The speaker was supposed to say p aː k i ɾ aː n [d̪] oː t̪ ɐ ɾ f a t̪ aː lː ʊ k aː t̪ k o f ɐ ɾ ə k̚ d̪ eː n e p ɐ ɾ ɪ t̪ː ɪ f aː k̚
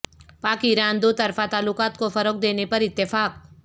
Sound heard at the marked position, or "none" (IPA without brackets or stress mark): d̪